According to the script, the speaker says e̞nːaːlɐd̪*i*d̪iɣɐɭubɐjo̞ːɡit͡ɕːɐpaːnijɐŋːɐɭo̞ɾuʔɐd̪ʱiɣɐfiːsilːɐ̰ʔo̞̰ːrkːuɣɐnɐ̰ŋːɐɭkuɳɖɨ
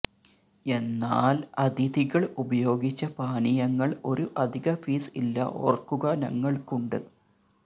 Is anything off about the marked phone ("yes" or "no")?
no